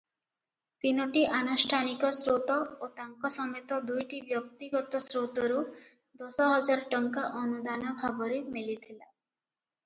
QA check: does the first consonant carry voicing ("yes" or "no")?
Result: no